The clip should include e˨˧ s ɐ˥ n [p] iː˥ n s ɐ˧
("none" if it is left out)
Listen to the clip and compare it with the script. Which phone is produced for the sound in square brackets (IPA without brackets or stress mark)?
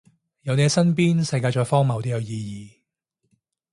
p